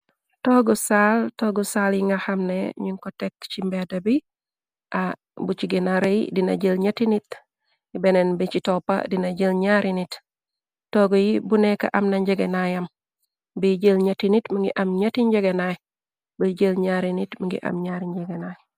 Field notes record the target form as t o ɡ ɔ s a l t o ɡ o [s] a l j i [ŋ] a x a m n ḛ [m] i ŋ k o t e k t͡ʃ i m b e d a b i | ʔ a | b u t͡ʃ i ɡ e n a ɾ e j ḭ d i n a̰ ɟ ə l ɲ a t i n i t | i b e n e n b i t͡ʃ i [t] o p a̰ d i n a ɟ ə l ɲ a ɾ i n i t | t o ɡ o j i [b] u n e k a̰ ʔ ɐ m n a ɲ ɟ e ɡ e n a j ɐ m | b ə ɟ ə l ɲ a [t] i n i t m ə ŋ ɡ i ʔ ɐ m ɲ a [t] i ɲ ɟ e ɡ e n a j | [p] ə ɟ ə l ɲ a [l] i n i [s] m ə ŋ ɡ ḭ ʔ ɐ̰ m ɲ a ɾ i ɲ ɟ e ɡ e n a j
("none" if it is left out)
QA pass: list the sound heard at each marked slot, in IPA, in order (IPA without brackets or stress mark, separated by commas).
s, ŋ, ɲ, t, b, t, t, b, ɾ, t